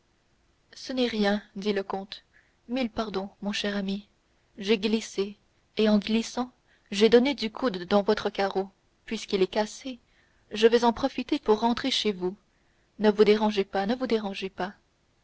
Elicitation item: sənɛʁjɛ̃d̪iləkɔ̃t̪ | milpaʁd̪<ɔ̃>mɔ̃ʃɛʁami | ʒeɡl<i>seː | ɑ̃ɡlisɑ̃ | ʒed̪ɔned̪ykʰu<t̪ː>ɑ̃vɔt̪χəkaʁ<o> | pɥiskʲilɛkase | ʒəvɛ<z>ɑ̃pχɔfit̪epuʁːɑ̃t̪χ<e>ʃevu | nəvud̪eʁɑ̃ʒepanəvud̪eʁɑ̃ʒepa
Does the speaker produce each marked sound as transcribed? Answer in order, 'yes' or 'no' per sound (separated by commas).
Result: yes, yes, no, yes, yes, yes